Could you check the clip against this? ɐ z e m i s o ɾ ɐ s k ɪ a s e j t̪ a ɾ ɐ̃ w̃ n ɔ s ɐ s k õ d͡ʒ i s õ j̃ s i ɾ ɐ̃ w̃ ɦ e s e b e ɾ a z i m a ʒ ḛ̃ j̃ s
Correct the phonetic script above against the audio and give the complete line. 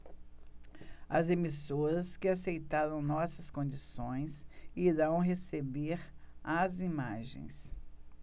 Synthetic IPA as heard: ɐ z e m i s o ɾ ɐ s k ɪ a s e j t̪ a ɾ ɐ̃ w̃ n ɔ s ɐ s k õ d͡ʒ i s õ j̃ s i ɾ ɐ̃ w̃ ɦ e s e b e ɾ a z i m a ʒ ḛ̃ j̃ s